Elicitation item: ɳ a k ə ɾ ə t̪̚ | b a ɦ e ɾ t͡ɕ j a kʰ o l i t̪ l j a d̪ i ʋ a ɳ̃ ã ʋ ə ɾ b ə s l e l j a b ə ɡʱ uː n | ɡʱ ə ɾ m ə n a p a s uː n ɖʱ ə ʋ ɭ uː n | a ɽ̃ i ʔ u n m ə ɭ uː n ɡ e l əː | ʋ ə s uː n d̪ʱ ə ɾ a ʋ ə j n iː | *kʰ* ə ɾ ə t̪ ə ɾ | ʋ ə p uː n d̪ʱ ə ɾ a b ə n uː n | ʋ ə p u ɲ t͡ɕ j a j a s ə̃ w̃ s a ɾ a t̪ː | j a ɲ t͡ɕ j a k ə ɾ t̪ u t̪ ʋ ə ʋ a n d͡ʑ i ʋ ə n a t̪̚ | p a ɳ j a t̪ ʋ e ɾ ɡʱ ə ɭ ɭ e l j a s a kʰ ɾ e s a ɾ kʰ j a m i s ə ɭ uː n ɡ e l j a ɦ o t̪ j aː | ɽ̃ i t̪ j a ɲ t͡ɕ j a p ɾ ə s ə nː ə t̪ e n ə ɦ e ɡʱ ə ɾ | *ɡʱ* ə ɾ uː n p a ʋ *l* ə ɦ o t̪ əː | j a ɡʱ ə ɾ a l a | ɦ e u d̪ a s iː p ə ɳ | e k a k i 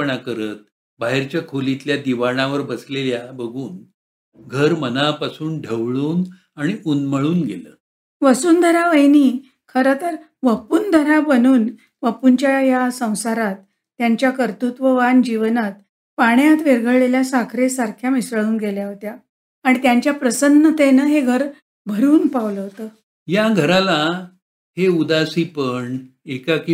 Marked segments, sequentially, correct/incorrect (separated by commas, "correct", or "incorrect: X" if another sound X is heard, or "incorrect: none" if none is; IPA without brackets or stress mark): correct, incorrect: bʱ, correct